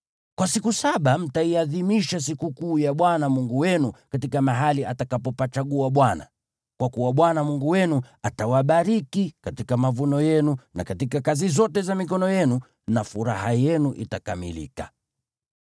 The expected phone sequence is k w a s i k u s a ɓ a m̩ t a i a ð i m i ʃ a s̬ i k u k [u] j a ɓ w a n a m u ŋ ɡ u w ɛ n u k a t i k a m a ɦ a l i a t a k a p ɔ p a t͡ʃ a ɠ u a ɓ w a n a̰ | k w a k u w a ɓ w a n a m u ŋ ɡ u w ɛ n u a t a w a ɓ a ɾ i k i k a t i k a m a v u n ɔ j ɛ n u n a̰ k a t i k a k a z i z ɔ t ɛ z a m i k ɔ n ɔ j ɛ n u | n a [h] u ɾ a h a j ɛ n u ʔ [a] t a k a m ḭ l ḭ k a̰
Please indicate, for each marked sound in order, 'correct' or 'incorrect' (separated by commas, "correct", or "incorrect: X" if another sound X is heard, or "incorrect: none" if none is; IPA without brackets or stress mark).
incorrect: uː, incorrect: f, incorrect: i